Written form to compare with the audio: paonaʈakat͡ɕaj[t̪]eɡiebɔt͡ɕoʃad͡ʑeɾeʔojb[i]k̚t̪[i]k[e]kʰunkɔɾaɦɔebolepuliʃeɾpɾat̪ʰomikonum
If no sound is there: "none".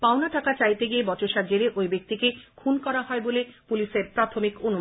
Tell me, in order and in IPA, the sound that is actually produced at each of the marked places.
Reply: t̪, e, i, e

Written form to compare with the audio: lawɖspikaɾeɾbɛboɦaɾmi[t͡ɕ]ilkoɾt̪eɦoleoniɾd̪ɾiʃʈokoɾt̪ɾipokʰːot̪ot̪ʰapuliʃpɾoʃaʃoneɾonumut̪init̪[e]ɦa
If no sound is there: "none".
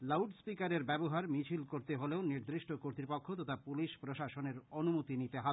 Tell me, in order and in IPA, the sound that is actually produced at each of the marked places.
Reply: t͡ɕʰ, e

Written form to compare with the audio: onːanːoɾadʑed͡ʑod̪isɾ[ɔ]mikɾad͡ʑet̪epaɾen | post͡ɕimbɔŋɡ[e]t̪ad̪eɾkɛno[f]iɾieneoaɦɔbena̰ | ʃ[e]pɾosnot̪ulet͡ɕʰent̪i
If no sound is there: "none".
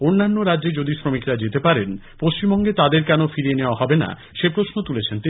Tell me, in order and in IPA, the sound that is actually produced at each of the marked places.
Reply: o, e, f, e

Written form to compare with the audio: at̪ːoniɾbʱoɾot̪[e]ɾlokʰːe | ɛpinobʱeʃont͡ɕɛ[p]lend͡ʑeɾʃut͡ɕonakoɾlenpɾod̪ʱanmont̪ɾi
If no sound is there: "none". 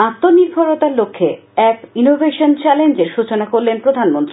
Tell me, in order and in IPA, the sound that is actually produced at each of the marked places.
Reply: a, none

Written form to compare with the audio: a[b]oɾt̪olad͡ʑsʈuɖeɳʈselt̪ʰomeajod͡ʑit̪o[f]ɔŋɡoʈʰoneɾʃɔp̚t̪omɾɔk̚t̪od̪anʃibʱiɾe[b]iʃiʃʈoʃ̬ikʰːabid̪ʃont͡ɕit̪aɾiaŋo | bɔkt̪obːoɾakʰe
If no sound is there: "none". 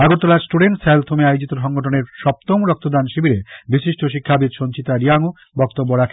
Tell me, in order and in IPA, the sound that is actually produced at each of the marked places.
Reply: ɡ, ʃ, b

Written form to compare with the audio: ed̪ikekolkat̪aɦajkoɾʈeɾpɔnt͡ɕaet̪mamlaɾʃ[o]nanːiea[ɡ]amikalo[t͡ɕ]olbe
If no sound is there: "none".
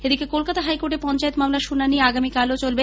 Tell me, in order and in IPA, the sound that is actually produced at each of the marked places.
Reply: u, ɡ, t͡ɕ

